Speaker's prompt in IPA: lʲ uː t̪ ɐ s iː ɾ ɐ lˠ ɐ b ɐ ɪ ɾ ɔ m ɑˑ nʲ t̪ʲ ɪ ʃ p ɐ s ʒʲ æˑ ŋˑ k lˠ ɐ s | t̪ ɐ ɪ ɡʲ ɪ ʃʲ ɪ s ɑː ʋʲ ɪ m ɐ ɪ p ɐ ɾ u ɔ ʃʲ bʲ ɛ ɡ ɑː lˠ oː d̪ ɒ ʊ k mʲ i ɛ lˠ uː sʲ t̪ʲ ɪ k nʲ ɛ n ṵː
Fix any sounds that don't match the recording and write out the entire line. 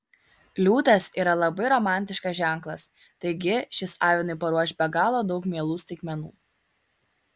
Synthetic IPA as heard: lʲ uː t̪ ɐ s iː ɾ ɐ lˠ ɐ b ɐ ɪ ɾ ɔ m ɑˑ nʲ t̪ʲ ɪ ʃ k ɐ s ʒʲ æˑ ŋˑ k lˠ ɐ s | t̪ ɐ ɪ ɡʲ ɪ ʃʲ ɪ s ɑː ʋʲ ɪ n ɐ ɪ p ɐ ɾ u ɔ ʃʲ bʲ ɛ ɡ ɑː lˠ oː d̪ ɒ ʊ k mʲ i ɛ lˠ uː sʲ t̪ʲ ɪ k mʲ ɛ n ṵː